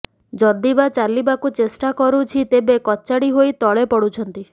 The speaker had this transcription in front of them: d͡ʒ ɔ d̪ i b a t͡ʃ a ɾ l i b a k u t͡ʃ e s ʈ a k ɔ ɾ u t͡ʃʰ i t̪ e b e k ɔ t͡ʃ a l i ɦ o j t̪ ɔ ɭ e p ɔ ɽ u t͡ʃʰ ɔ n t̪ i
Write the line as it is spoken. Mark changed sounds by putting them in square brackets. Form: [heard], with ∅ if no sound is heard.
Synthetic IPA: d͡ʒ ɔ d̪ i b a t͡ʃ a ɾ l i b a k u t͡ʃ e s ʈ a k ɔ ɾ u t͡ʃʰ i t̪ e b e k ɔ t͡ʃ a [ɽ] i ɦ o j t̪ ɔ ɭ e p ɔ ɽ u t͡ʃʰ ɔ n t̪ i